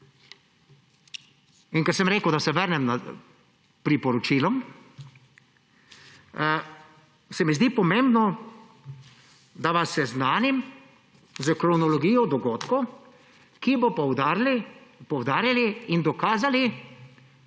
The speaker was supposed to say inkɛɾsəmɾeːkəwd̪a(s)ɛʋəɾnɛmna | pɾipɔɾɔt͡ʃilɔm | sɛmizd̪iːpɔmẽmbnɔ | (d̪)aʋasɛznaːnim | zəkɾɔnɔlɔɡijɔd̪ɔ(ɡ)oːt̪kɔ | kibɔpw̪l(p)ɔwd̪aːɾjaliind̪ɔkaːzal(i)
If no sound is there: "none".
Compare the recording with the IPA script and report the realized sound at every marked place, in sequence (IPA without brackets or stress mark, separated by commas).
s, d̪, ɡ, p, i